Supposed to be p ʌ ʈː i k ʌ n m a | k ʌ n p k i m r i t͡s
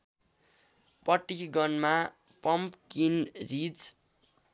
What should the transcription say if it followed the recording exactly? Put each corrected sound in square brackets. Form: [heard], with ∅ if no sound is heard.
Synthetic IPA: p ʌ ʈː i [ɡ] ʌ n m a | [p] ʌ [m] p k i [n] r i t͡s

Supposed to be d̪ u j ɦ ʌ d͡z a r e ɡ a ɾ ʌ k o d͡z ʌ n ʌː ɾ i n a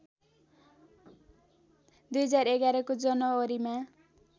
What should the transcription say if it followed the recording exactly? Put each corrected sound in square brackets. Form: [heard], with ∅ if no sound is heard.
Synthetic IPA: d̪ u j ɦ ʌ d͡z a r e ɡ a ɾ ʌ k o d͡z ʌ n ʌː ɾ i [m] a

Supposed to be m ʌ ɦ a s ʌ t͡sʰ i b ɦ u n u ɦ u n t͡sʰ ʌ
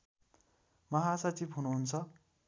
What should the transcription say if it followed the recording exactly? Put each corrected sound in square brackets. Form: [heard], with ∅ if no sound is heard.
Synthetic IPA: m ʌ ɦ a s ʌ [t͡s] i b ɦ u n u ɦ u n t͡sʰ ʌ

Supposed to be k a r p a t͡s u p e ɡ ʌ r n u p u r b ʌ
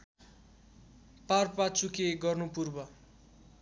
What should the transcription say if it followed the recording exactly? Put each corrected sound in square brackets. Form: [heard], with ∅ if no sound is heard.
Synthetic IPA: [p] a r p a t͡s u [k] e ɡ ʌ r n u p u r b ʌ

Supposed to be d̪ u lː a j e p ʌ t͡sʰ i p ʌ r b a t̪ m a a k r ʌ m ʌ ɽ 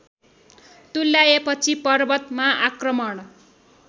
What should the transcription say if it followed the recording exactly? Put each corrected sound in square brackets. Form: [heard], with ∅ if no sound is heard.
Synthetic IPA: [t̪] u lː a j e p ʌ t͡sʰ i p ʌ r b [ʌ] t̪ m a a k r ʌ m ʌ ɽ

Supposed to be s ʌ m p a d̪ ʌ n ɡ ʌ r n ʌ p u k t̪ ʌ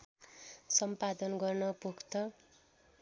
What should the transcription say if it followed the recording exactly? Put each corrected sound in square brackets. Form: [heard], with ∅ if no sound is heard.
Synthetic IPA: s ʌ m p a d̪ ʌ n ɡ ʌ r n ʌ p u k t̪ ʌ

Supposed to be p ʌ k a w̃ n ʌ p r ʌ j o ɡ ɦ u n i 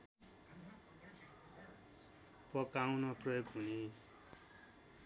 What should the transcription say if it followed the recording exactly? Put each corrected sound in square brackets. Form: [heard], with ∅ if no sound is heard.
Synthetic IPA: p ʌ k a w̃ n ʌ p r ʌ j o ɡ ɦ u n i

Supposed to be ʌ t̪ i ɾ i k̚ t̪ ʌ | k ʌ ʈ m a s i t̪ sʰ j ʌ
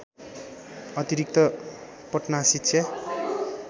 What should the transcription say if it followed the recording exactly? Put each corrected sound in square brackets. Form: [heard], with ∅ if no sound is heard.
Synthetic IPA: ʌ t̪ i ɾ i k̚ t̪ ʌ | [p] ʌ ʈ [n] a s i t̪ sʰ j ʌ

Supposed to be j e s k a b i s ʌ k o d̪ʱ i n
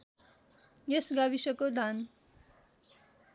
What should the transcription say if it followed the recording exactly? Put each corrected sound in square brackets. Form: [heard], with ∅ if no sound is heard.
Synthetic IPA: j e s [ɡ] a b i s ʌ k o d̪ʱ [a] n

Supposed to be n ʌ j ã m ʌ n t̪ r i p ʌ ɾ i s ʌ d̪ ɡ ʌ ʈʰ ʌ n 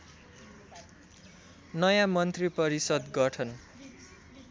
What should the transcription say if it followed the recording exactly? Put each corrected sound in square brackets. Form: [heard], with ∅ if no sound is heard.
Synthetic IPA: n ʌ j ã m ʌ n t̪ r i p ʌ ɾ i s ʌ d̪ ɡ ʌ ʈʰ ʌ n

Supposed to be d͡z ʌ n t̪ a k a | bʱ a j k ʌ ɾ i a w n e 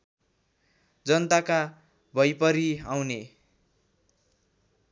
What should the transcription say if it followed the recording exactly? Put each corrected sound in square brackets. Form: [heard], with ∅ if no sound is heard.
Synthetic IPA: d͡z ʌ n t̪ a k a | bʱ [ʌ] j [p] ʌ ɾ i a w n e

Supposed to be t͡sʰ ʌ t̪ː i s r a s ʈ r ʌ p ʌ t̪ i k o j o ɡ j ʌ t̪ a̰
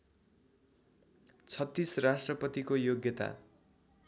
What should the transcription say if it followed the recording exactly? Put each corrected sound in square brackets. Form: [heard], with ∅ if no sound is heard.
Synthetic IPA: t͡sʰ ʌ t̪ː i s r a s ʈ r ʌ p ʌ t̪ i k o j o ɡ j ʌ t̪ a̰

